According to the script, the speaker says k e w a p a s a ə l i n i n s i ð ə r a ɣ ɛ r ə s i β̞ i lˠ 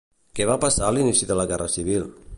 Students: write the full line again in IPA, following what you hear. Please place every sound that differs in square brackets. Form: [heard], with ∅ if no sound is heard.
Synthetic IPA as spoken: k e [β] a p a s a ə l i n i [∅] s i ð ə [l] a ɣ ɛ r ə s i β̞ i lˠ